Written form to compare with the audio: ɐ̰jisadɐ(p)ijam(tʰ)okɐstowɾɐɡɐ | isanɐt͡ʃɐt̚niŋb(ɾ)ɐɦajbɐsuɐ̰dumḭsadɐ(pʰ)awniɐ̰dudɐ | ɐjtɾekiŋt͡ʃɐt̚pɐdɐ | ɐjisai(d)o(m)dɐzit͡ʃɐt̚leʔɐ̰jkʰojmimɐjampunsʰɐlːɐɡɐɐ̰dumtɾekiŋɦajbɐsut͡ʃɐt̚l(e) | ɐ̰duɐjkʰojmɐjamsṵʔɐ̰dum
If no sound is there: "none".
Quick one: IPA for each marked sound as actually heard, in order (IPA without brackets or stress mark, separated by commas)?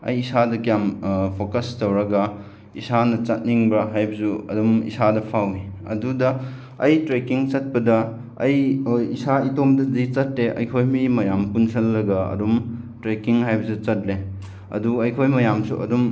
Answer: k, pʰ, ɾ, pʰ, t, m, e